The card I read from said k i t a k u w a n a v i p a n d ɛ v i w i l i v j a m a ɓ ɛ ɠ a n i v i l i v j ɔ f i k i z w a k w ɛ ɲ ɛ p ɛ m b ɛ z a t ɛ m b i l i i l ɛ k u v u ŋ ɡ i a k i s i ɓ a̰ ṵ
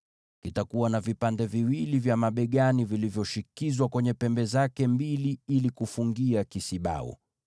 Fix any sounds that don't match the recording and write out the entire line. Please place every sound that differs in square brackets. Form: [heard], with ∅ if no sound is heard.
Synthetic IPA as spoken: k i t a k u w a n a v i p a n d ɛ v i w i l i v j a m a ɓ ɛ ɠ a n i v i l i v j ɔ [ʃ] i k i z w a k w ɛ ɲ ɛ p ɛ m b ɛ z a [k] ɛ m b i l i i l [i] k u [f] u ŋ ɡ i a k i s i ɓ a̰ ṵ